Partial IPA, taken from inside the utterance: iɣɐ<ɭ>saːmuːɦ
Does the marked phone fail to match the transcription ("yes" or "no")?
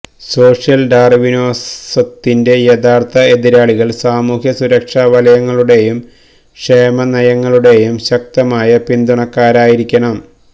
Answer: no